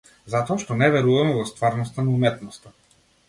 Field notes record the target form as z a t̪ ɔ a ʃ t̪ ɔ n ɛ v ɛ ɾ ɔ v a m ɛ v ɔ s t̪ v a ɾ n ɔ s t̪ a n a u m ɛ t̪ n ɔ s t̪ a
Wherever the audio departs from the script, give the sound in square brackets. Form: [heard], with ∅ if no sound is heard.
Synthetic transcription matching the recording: z a t̪ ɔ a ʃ t̪ ɔ n ɛ v ɛ ɾ [u] v a m ɛ v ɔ s t̪ v a ɾ n ɔ s t̪ a n a u m ɛ t̪ n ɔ s t̪ a